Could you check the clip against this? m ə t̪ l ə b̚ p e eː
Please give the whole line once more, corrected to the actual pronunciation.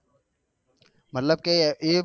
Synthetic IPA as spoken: m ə t̪ l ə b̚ k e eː